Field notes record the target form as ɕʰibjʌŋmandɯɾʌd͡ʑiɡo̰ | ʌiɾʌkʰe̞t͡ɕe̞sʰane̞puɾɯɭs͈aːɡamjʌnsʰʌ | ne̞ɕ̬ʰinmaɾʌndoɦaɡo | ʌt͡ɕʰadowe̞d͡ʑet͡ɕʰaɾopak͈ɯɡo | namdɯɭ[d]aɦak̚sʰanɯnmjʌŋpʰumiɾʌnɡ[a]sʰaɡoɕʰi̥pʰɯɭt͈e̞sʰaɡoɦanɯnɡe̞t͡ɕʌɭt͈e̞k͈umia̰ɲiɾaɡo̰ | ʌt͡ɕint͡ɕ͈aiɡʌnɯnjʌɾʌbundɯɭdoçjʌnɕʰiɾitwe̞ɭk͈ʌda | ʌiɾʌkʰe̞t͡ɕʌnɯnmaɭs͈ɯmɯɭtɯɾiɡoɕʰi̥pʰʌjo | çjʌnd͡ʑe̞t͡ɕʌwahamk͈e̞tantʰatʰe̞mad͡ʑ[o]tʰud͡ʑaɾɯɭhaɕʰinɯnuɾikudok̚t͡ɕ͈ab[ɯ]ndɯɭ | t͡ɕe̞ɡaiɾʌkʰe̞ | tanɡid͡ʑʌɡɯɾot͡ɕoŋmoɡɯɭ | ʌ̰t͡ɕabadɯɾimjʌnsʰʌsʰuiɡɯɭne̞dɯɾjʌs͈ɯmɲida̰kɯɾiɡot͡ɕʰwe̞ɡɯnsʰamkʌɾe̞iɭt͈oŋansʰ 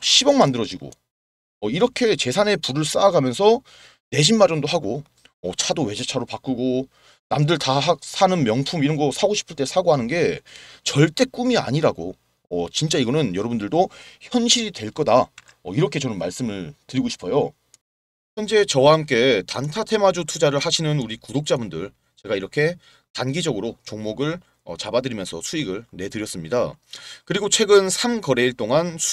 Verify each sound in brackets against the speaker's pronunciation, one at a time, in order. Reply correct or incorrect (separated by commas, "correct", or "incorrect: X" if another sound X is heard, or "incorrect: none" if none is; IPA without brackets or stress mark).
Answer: incorrect: t, incorrect: ʌ, incorrect: u, incorrect: u